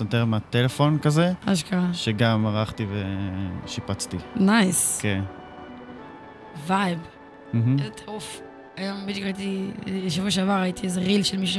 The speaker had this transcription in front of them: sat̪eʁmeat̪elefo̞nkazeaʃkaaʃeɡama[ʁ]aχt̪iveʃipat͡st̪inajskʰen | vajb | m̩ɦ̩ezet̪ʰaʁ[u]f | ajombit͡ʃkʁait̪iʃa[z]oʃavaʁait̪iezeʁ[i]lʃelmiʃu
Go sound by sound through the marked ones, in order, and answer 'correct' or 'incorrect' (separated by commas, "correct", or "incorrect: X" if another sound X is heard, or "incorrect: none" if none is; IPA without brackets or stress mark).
correct, correct, incorrect: v, correct